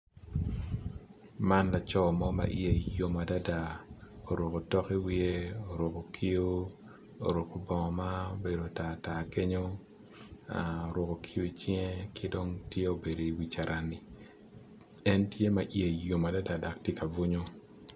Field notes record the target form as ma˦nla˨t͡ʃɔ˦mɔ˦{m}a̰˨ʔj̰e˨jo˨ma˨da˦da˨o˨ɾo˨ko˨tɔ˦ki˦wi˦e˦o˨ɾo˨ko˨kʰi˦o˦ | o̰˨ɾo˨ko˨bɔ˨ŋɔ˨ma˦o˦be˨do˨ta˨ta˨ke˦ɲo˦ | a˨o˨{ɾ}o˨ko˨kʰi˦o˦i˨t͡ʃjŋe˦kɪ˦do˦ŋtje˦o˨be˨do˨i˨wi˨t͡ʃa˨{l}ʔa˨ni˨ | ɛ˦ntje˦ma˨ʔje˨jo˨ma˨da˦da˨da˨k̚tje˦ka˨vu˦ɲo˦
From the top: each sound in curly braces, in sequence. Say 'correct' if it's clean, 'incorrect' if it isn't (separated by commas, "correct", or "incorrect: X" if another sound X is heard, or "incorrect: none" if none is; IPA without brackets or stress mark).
correct, correct, incorrect: ɾ